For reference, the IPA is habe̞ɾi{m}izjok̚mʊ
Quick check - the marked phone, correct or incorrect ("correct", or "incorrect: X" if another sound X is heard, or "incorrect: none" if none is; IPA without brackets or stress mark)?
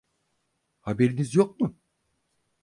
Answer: incorrect: n